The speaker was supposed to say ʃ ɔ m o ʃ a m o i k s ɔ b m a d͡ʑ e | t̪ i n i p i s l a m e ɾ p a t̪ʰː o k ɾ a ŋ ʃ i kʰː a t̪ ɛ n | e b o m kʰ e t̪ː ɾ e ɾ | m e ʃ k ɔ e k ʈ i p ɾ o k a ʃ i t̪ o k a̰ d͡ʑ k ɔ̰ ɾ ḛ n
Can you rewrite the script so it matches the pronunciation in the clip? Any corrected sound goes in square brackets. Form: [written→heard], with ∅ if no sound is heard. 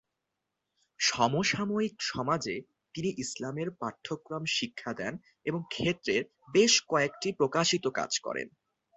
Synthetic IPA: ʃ ɔ m o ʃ a m o i k [s→ʃ] ɔ [b→∅] m a d͡ʑ e | t̪ i n i [p→ʔ] i s l a m e ɾ p a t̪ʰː o k ɾ a [ŋ→m] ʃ i kʰː a [t̪→d̪] ɛ n | e b o [m→ŋ] kʰ e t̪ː ɾ e ɾ | [m→b] e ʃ k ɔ e k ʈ i p ɾ o k a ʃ i t̪ o k a̰ d͡ʑ k ɔ̰ ɾ ḛ n

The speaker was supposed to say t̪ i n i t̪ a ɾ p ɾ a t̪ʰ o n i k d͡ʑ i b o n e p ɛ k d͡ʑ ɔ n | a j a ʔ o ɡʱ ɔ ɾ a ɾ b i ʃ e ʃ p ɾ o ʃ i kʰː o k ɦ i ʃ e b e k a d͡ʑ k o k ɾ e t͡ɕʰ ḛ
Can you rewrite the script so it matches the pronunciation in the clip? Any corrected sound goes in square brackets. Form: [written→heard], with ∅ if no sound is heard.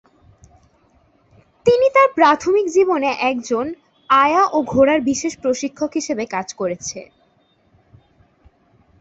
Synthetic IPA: t̪ i n i t̪ a ɾ p ɾ a t̪ʰ o [n→m] i k d͡ʑ i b o n e [p→ʔ] ɛ k d͡ʑ [ɔ→o] n | a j a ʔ o ɡʱ [ɔ→o] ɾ a ɾ b i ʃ e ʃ p ɾ o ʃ i kʰː o k ɦ i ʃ e b e k a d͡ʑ k o [k→∅] ɾ e t͡ɕʰ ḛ

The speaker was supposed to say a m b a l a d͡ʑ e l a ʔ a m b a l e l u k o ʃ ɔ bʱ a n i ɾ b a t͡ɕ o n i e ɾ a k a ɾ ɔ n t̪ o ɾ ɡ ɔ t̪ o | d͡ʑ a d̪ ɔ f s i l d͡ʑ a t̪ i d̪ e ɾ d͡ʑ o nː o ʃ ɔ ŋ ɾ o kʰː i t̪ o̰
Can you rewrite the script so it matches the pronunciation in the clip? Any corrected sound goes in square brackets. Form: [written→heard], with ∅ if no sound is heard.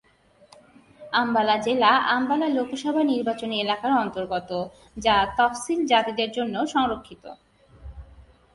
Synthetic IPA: a m b a l a d͡ʑ e l a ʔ a m b a l [e→a] l [u→o] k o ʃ ɔ bʱ a n i ɾ b a t͡ɕ o n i e [ɾ→l] a k a ɾ ɔ n t̪ o ɾ ɡ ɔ t̪ o | d͡ʑ a [d̪→t̪] ɔ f s i l d͡ʑ a t̪ i d̪ e ɾ d͡ʑ o nː o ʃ ɔ ŋ ɾ o kʰː i t̪ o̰

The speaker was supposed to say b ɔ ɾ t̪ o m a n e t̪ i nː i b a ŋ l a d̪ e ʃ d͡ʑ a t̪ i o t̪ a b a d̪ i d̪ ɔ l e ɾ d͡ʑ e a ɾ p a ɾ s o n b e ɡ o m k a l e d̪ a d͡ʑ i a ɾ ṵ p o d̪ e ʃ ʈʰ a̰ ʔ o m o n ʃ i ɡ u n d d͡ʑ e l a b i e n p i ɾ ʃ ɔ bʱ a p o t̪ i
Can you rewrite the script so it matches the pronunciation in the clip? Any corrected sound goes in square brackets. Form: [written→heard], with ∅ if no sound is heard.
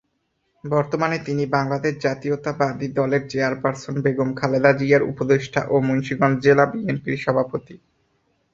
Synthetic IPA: b ɔ ɾ t̪ o m a n e t̪ i [nː→n] i b a ŋ l a d̪ e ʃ d͡ʑ a t̪ i o t̪ a b a d̪ i d̪ ɔ l e ɾ d͡ʑ e a ɾ p a ɾ s o n b e ɡ o m [k→kʰ] a l e d̪ a d͡ʑ i a ɾ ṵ p o d̪ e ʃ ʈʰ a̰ ʔ o m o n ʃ i ɡ [u→ɔ] n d d͡ʑ e l a b i e n p i ɾ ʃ ɔ bʱ a p o t̪ i

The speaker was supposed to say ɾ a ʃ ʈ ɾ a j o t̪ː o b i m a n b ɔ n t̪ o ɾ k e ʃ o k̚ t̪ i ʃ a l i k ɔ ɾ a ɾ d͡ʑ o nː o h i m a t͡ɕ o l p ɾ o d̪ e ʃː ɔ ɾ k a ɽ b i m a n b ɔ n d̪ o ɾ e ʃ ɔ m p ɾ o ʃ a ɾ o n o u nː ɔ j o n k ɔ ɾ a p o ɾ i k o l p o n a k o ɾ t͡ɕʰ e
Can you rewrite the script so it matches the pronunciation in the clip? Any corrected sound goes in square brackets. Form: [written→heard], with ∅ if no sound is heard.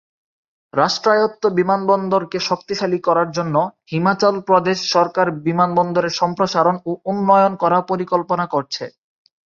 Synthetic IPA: ɾ a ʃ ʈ ɾ a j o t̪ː o b i m a n b ɔ n [t̪→d̪] o ɾ k e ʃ o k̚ t̪ i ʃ a l i k ɔ ɾ a ɾ d͡ʑ o nː o h i m a t͡ɕ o l p ɾ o d̪ e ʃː ɔ ɾ k a [ɽ→ɾ] b i m a n b ɔ n d̪ o ɾ e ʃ ɔ m p ɾ o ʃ a ɾ o n o u nː ɔ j o n k ɔ ɾ a p o ɾ i k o l p o n a k o ɾ t͡ɕʰ e

